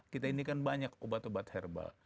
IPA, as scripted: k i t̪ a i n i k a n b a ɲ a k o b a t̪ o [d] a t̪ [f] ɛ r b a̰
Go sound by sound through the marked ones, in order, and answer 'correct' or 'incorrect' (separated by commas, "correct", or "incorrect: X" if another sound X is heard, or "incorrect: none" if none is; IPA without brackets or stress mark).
incorrect: b, incorrect: h